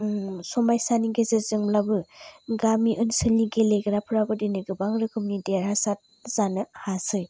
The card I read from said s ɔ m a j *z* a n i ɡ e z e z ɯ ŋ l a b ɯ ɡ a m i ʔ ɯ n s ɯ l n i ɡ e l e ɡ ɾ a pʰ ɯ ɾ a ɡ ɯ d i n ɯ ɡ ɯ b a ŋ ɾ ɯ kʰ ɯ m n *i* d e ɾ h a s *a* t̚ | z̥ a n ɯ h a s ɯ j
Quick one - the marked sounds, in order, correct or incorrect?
incorrect, correct, correct

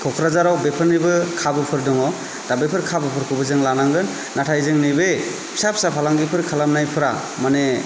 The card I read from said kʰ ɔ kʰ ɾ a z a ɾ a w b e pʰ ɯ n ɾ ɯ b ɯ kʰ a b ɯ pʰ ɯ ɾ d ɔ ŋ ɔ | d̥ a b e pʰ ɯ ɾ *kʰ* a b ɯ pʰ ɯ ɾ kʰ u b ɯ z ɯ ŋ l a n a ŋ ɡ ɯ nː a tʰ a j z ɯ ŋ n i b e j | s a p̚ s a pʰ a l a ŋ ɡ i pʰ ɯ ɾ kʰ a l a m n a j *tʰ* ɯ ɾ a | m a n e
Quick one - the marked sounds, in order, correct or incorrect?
correct, incorrect

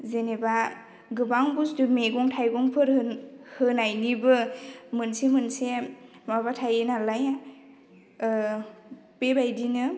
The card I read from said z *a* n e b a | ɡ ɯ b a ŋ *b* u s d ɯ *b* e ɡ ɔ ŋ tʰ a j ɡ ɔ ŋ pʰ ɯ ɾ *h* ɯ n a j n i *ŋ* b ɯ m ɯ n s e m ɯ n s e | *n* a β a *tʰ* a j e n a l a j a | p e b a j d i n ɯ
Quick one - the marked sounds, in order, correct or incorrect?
incorrect, correct, incorrect, correct, incorrect, incorrect, correct

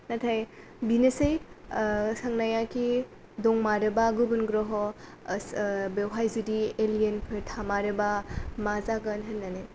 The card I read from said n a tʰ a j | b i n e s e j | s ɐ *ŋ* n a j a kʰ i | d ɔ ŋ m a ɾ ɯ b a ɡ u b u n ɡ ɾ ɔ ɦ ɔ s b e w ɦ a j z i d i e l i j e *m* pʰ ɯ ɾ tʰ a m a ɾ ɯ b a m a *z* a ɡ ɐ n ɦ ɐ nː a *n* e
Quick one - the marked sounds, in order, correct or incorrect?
correct, incorrect, correct, correct

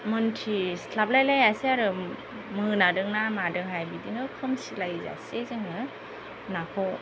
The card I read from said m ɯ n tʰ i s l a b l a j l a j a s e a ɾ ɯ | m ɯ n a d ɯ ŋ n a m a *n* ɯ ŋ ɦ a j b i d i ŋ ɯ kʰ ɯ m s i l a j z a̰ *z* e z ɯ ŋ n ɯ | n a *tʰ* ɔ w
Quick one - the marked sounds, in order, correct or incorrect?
incorrect, incorrect, incorrect

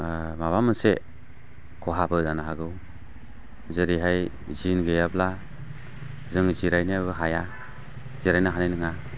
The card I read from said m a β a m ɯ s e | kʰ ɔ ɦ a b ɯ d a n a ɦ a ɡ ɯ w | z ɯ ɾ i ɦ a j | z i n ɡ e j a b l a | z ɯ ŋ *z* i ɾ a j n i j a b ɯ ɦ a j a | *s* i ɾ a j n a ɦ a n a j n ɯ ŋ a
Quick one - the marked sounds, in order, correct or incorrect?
correct, incorrect

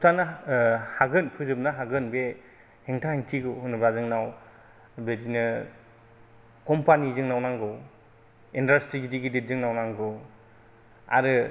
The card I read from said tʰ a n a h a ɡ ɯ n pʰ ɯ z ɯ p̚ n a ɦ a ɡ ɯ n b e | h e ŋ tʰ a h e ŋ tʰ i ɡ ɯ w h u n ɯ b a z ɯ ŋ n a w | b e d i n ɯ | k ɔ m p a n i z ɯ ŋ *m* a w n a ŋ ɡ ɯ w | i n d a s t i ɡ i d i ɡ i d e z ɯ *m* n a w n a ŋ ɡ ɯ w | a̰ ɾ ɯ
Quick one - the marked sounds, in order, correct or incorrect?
incorrect, incorrect

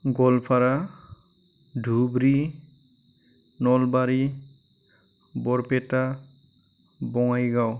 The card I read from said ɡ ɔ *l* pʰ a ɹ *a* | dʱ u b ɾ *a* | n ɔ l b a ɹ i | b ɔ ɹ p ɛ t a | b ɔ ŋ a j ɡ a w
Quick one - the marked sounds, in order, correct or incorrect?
correct, correct, incorrect

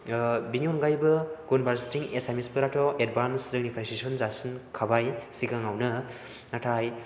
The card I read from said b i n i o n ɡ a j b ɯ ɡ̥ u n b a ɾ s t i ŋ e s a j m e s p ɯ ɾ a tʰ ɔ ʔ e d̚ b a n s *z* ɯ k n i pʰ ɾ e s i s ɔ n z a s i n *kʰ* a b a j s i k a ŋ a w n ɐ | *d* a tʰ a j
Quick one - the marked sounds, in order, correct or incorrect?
correct, correct, incorrect

